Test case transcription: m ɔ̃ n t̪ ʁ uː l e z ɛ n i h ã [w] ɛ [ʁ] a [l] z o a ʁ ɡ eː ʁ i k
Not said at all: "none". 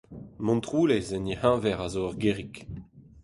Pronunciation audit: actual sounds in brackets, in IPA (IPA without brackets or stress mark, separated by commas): v, ʁ, none